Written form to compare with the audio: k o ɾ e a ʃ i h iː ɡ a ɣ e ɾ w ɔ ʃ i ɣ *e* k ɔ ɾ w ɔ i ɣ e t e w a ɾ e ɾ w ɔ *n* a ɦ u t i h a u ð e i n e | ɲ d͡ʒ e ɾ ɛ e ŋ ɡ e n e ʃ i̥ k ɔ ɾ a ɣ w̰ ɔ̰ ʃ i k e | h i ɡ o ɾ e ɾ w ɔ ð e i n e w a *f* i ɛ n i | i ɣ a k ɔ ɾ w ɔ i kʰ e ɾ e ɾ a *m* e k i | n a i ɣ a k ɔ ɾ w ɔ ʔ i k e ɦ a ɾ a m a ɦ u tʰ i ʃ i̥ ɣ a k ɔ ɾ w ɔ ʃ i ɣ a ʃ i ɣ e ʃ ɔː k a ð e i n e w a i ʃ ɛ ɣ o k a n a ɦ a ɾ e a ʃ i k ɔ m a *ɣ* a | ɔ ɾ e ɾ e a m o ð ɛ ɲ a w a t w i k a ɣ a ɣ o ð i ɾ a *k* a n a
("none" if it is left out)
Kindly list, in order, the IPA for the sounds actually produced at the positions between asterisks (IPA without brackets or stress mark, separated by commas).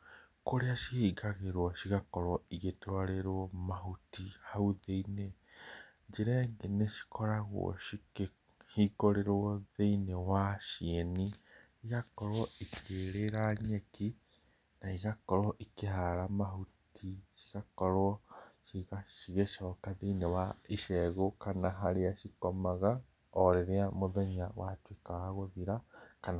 a, m, ʃ, ɲ, ɣ, k